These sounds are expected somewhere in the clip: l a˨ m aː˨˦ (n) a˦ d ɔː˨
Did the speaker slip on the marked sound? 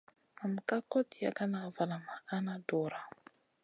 no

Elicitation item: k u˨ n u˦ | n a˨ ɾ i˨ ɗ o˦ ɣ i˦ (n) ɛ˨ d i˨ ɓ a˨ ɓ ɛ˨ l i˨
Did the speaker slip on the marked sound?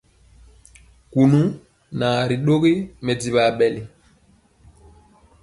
yes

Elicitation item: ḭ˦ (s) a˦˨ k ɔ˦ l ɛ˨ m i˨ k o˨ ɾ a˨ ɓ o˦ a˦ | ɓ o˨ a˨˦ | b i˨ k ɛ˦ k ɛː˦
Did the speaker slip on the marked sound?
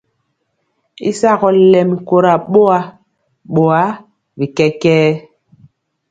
no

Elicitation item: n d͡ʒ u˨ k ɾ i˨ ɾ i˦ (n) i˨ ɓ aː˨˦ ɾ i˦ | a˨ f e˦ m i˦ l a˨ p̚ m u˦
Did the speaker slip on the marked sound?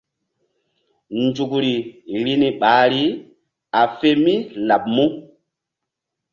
no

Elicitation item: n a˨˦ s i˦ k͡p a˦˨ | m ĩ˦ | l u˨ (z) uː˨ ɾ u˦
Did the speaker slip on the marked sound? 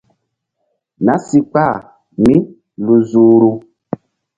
no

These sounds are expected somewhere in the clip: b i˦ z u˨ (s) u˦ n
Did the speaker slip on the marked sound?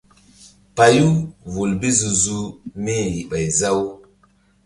yes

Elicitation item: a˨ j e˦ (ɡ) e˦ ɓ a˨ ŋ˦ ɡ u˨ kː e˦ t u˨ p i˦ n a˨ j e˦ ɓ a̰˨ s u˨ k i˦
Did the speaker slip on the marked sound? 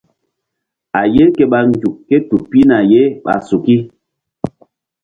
yes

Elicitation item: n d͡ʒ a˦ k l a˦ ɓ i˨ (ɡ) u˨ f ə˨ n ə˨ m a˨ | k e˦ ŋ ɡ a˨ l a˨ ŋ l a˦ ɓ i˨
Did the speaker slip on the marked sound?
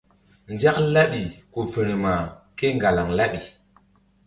yes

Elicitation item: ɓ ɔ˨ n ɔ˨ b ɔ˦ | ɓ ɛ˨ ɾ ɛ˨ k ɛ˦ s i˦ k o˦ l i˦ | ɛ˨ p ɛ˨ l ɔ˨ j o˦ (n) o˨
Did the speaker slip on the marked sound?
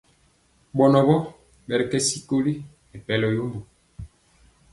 yes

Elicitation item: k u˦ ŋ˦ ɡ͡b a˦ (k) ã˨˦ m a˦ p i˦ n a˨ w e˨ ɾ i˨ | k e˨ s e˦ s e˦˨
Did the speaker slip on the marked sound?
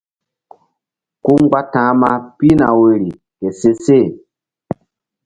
yes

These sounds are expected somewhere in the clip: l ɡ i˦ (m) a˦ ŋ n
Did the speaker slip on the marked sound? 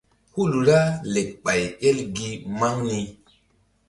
no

